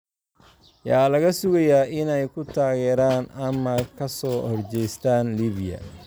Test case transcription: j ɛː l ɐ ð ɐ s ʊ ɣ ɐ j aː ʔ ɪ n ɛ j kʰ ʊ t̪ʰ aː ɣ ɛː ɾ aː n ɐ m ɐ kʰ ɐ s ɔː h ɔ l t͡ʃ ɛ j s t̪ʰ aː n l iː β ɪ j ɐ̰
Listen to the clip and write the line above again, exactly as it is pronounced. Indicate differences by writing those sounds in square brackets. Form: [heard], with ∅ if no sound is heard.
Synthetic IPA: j [aː] l ɐ [ɣ] ɐ s ʊ ɣ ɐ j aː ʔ ɪ n ɛ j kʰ ʊ t̪ʰ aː ɣ ɛː ɾ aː n ɐ m ɐ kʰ ɐ s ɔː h ɔ [r] t͡ʃ ɛ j s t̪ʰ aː n l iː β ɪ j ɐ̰